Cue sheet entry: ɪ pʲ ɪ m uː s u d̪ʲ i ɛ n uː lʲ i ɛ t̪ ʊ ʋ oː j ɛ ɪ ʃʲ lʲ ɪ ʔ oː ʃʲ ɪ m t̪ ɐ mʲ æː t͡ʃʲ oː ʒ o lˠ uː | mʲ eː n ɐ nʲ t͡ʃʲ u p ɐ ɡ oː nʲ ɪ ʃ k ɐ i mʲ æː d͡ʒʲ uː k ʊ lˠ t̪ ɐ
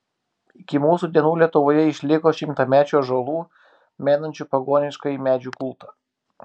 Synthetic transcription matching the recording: ɪ kʲ ɪ m uː s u d̪ʲ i ɛ n uː lʲ i ɛ t̪ ʊ ʋ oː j ɛ ɪ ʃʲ lʲ ɪ k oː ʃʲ ɪ m t̪ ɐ mʲ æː t͡ʃʲ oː ʒ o lˠ uː | mʲ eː n ɐ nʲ t͡ʃʲ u p ɐ ɡ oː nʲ ɪ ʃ k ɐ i mʲ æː d͡ʒʲ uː k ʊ lˠ t̪ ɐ